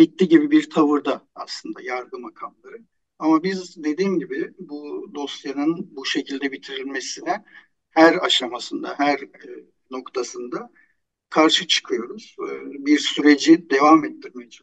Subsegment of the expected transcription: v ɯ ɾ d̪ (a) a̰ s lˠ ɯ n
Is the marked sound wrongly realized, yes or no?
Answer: no